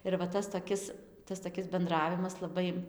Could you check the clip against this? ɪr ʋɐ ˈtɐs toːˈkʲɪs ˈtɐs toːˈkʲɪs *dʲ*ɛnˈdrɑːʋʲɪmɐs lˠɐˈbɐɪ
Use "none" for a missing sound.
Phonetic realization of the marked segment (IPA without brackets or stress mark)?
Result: bʲ